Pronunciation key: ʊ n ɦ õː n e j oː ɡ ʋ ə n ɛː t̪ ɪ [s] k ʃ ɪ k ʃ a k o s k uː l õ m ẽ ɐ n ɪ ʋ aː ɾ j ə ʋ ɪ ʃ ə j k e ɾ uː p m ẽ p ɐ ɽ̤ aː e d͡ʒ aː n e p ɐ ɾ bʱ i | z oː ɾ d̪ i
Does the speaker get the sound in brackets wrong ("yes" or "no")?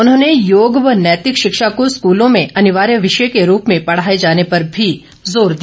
yes